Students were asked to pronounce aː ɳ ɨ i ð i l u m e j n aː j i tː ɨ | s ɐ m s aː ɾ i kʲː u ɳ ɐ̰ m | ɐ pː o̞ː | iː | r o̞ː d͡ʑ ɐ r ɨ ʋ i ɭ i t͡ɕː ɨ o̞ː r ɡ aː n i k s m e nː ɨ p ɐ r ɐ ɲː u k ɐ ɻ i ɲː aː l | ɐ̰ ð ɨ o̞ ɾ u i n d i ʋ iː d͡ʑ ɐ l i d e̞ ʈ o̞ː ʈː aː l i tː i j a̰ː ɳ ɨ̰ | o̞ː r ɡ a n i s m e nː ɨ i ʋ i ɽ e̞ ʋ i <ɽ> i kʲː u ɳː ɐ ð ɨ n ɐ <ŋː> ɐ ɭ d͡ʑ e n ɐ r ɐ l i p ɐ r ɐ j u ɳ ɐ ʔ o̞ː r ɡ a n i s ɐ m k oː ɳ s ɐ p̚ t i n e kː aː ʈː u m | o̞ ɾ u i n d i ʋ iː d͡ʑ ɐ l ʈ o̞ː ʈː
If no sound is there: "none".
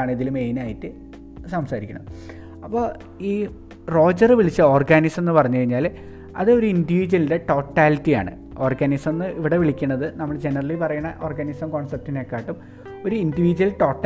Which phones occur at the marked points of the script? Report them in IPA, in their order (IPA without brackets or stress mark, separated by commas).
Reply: ɭ, mː